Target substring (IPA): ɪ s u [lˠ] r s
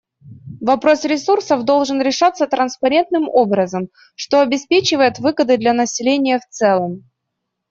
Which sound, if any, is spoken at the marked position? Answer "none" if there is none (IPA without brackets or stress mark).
none